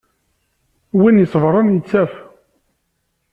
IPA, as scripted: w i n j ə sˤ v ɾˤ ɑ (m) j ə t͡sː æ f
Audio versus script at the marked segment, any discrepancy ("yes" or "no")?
yes